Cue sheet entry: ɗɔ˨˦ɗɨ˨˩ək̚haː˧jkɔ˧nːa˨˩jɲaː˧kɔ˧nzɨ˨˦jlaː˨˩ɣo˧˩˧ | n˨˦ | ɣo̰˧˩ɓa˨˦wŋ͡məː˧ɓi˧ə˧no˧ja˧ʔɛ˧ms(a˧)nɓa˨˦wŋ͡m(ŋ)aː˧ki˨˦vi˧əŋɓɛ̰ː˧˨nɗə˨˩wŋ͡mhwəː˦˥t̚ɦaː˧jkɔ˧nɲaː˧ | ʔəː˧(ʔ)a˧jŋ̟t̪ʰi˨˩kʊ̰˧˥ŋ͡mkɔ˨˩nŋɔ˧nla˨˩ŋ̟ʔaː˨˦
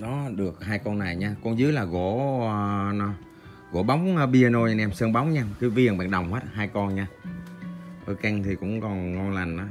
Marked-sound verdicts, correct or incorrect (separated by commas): incorrect, incorrect, incorrect